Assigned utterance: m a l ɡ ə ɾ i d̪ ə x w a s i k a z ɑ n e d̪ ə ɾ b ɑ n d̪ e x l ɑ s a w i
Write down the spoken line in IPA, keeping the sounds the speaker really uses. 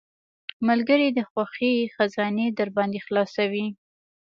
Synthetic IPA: m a l ɡ ə ɾ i d̪ ə x w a x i x a z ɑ n e d̪ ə ɾ b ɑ n d̪ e x l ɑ s a w i